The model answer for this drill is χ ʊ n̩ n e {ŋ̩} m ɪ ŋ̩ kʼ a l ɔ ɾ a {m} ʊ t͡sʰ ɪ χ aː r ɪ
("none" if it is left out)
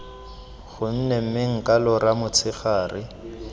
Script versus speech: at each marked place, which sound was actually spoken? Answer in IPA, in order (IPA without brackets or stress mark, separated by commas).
m̩, m